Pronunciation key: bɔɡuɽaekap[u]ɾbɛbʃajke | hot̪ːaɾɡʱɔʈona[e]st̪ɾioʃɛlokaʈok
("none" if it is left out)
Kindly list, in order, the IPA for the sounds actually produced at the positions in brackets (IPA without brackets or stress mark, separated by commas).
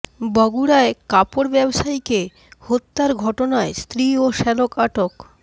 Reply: o, e